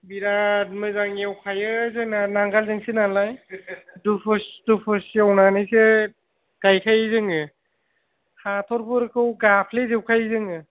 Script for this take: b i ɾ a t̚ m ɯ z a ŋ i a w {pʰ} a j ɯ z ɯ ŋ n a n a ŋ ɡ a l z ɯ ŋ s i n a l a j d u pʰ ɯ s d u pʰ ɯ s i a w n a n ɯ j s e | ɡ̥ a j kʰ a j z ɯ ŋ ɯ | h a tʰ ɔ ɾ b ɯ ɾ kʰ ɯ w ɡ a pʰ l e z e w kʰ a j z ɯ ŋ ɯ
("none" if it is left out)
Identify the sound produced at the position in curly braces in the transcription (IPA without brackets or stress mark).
kʰ